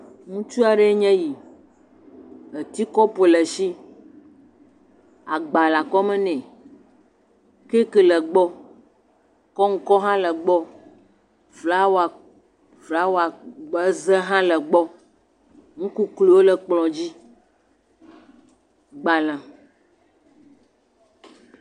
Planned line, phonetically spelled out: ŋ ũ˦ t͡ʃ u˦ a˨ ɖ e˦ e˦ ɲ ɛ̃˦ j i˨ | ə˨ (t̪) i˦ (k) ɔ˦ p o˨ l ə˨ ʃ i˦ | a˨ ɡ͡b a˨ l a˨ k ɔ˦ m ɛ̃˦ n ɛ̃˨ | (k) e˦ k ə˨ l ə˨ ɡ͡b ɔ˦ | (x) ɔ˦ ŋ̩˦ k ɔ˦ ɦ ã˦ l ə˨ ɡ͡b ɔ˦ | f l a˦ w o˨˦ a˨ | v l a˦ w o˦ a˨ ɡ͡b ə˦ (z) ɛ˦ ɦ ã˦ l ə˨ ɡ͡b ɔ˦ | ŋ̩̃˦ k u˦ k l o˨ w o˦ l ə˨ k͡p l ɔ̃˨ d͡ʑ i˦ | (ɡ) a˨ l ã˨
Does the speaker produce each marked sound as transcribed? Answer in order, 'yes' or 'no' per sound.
yes, yes, yes, no, yes, no

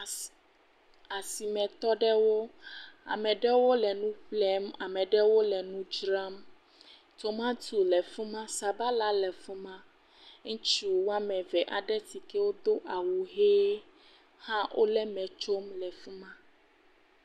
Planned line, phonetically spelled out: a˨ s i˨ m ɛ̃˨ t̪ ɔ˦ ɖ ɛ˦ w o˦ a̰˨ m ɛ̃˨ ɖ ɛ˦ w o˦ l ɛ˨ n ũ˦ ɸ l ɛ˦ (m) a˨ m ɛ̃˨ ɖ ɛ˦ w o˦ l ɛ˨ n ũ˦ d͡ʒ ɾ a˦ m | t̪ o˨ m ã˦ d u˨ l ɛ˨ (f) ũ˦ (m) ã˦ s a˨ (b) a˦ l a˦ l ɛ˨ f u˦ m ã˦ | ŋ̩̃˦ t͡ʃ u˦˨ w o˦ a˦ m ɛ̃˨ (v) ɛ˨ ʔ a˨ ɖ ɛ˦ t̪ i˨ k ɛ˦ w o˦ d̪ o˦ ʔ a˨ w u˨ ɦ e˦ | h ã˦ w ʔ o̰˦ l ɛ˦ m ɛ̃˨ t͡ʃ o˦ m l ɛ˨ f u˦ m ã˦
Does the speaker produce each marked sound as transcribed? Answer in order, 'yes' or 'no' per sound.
yes, yes, yes, yes, yes

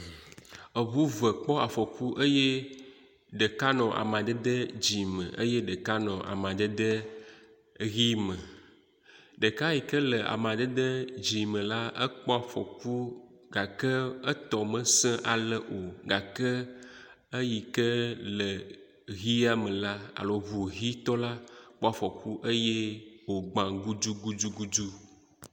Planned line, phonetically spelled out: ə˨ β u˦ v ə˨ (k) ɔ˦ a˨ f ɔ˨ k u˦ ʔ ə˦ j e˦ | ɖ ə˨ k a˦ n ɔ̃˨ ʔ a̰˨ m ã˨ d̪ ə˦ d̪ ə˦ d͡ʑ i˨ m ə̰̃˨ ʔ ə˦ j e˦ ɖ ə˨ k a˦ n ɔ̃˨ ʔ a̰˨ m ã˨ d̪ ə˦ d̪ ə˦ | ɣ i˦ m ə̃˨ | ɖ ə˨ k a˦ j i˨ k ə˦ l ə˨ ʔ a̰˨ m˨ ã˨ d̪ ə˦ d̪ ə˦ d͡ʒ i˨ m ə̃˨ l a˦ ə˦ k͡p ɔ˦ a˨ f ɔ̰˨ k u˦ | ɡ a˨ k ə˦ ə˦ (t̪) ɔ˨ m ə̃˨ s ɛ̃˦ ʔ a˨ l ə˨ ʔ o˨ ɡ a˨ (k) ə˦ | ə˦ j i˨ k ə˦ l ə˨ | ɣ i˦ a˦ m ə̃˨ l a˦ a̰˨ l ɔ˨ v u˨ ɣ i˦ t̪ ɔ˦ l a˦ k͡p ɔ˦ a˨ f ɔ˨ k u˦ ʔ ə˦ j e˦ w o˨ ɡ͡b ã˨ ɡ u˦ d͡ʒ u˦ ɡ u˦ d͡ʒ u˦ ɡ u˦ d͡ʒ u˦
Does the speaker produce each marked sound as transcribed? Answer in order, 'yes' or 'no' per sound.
no, yes, yes

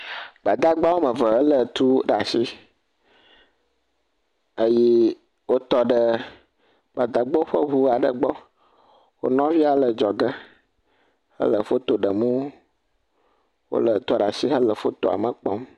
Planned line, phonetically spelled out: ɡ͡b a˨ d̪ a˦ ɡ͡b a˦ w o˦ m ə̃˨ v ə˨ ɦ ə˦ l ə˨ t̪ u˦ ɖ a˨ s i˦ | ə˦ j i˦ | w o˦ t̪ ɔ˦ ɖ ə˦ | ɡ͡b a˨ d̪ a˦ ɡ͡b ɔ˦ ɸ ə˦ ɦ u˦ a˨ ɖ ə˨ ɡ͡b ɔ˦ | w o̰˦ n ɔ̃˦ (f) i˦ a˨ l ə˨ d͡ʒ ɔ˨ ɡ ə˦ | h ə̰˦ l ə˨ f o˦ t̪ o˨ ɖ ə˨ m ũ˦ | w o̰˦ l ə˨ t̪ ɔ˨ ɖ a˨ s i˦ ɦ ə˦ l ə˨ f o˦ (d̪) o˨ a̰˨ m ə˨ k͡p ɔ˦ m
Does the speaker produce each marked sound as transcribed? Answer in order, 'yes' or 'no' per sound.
no, no

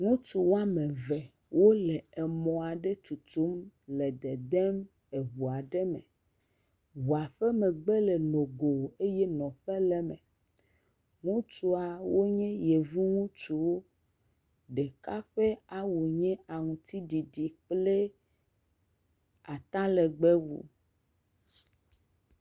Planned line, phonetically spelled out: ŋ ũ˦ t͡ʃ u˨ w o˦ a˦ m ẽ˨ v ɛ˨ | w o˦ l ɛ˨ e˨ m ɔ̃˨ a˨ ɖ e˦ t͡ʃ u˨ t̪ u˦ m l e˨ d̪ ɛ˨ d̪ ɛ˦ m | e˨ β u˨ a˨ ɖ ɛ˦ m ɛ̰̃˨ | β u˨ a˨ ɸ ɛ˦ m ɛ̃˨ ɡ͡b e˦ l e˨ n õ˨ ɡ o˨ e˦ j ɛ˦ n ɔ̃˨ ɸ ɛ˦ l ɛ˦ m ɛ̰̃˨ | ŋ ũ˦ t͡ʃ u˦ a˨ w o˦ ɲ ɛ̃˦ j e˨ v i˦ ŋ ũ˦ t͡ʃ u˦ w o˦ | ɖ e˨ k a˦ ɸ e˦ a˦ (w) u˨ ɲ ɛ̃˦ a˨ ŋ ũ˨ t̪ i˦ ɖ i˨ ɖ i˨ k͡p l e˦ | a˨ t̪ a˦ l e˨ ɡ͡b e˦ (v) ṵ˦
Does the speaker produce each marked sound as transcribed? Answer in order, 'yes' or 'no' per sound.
yes, no

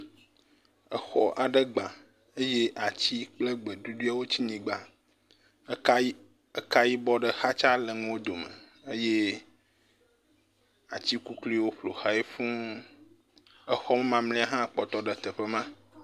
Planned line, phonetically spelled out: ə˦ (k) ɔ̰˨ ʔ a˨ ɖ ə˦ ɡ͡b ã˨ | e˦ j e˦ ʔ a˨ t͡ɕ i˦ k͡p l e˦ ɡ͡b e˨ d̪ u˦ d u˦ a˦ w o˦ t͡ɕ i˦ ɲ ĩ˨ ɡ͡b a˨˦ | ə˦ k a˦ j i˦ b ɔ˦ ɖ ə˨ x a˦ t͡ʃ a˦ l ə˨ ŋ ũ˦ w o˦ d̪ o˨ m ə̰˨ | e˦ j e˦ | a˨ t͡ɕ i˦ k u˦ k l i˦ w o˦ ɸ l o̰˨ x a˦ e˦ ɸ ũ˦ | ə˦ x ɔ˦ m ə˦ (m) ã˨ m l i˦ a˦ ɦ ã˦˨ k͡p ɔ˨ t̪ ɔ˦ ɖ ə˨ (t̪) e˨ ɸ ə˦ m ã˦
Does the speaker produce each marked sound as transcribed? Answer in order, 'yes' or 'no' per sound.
no, yes, yes

